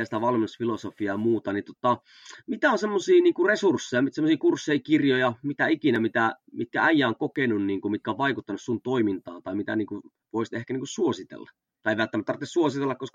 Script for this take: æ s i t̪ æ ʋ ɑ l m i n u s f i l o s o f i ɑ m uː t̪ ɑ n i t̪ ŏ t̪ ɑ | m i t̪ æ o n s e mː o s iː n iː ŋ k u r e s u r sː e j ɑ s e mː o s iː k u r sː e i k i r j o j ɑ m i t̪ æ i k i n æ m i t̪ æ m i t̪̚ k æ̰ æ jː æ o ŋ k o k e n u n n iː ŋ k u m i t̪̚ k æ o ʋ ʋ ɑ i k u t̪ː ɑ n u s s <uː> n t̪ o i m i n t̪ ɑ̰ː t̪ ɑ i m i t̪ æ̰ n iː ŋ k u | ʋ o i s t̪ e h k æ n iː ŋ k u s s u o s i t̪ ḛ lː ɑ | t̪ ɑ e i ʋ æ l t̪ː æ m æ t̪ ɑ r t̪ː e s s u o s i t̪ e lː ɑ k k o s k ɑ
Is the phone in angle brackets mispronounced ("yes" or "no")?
yes